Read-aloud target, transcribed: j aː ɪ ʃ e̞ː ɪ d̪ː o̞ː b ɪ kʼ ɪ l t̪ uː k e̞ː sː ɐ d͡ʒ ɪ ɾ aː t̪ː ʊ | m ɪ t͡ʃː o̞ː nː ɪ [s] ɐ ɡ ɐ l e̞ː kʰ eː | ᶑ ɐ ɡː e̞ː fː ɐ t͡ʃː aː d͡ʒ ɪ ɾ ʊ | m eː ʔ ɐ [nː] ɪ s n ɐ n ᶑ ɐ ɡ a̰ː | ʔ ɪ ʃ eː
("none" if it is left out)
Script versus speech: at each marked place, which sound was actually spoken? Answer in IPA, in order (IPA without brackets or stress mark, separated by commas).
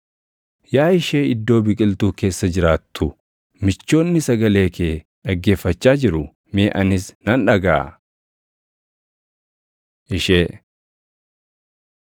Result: s, n